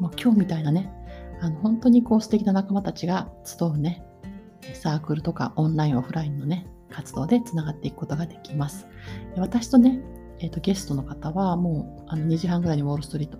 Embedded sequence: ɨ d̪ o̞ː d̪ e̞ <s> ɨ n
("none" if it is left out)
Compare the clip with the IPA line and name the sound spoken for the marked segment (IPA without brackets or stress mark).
t͡s